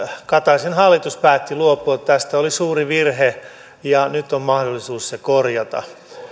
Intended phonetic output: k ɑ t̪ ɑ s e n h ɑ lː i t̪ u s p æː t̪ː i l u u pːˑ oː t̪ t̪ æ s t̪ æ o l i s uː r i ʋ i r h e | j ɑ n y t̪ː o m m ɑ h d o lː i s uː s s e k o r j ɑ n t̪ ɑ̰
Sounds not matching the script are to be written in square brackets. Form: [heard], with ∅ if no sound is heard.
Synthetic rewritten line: k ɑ t̪ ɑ s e n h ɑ lː i t̪ u s p æː t̪ː i l u [o] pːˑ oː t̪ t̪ æ s t̪ æ o l i s uː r i ʋ i r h e | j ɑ n y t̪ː o m m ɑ h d o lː i s uː s s e k o r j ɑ [∅] t̪ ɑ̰